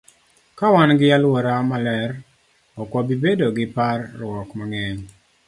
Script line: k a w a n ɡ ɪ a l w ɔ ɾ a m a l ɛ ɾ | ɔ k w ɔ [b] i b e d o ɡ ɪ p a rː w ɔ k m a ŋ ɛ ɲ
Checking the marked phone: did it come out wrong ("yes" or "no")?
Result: no